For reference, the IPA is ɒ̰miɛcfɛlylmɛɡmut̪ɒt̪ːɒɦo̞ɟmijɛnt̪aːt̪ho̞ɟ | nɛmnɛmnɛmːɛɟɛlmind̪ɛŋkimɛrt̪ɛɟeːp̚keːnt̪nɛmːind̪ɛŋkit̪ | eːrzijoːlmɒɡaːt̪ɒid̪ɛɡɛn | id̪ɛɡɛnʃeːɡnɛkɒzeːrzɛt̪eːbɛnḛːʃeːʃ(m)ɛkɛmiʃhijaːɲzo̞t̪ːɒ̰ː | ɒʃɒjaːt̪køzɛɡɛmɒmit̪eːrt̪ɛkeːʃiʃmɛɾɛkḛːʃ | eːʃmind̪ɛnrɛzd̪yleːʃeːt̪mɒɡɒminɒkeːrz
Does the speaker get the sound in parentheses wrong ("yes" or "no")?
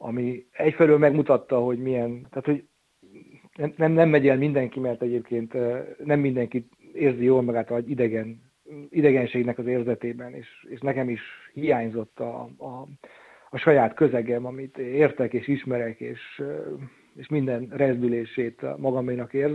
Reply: yes